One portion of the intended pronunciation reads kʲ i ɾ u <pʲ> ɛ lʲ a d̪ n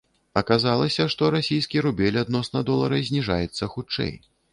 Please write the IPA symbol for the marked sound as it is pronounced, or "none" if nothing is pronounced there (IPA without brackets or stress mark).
bʲ